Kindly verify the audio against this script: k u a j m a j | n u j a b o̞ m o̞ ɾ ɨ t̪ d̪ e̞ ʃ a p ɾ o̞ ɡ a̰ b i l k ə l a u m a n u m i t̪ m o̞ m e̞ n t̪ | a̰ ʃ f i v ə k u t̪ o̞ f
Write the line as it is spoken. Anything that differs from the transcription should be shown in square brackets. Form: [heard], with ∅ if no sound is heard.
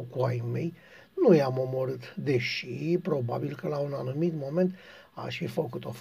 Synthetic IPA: k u a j m [e] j | n u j a [m] o̞ m o̞ ɾ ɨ t̪ d̪ e̞ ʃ [i] p ɾ o̞ [b] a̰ b i l k ə l a u [n] a n u m i t̪ m o̞ m e̞ n t̪ | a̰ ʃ f i [f] ə k u t̪ o̞ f